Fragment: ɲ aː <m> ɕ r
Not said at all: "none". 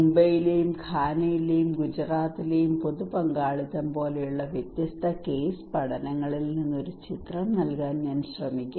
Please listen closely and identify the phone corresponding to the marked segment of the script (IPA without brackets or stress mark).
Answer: n